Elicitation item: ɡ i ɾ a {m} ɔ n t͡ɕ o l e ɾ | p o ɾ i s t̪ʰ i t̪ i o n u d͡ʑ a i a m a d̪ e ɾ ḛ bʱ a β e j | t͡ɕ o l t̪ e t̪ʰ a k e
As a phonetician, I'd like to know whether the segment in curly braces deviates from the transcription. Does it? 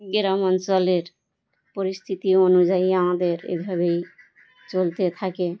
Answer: no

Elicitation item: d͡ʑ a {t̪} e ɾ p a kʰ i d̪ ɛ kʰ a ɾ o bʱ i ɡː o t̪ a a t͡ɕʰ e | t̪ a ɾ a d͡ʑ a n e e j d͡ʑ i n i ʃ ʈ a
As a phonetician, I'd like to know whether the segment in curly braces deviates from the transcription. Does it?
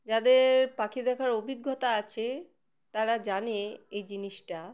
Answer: yes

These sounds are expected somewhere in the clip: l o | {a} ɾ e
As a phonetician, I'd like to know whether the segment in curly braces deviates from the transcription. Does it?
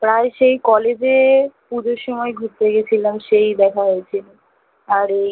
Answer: no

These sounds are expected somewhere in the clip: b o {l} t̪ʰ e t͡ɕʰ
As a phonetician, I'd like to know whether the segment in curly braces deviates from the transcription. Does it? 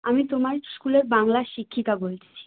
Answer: no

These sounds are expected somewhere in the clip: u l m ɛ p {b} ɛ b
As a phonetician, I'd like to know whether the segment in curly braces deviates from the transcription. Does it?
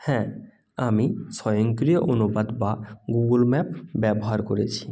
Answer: no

